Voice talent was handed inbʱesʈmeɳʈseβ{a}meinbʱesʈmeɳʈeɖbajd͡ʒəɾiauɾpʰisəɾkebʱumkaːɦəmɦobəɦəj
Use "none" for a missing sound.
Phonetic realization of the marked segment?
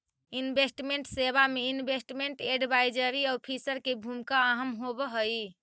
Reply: a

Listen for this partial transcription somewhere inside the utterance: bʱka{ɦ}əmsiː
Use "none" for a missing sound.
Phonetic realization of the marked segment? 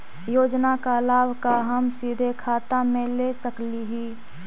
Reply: ɦ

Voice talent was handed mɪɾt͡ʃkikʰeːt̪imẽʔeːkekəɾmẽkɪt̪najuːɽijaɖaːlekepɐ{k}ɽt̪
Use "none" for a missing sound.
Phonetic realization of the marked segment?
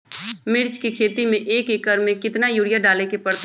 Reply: none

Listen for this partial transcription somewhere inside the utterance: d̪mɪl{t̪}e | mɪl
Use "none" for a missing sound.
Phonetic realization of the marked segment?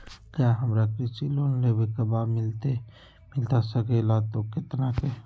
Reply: t̪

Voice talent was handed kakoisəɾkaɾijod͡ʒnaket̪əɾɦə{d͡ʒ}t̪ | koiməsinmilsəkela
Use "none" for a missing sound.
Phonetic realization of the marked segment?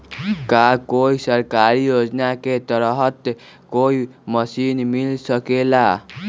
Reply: none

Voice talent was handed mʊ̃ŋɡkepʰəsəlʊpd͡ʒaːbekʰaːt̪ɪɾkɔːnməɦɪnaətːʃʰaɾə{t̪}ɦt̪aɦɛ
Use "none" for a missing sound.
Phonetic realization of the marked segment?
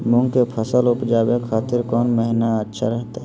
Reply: none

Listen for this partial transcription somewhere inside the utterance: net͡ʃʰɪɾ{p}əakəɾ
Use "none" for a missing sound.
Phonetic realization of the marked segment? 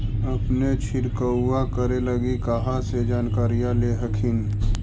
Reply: k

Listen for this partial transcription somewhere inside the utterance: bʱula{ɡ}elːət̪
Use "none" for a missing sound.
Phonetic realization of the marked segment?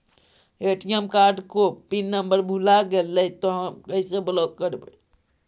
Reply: ɡ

